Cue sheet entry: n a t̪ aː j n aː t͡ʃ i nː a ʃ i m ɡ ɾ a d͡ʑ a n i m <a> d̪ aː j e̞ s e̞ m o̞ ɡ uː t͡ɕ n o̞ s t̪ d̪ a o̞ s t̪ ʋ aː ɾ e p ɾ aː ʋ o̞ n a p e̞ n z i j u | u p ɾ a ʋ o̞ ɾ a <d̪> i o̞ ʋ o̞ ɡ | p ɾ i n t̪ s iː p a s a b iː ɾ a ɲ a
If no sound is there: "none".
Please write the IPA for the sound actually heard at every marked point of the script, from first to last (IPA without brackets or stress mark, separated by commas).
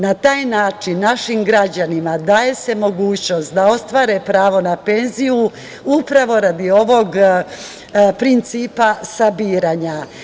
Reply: a, d̪